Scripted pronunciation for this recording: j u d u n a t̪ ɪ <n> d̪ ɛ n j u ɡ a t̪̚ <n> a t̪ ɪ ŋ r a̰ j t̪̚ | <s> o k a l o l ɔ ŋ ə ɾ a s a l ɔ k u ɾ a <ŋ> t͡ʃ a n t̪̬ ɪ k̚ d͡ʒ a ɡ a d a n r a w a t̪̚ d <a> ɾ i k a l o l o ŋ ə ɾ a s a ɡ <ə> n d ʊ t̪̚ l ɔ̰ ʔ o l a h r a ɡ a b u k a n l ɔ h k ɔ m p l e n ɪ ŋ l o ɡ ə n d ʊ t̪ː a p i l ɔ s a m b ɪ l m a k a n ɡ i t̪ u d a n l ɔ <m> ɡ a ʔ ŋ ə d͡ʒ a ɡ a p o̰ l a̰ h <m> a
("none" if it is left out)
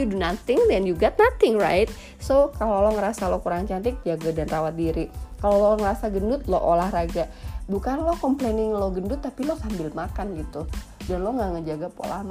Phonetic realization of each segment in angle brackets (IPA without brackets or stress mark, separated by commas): ŋ, n, s, ŋ, i, ə, ŋ, m